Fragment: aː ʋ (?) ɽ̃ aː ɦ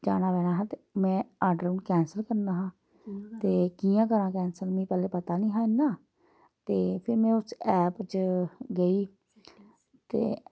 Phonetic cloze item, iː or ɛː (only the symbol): ɛː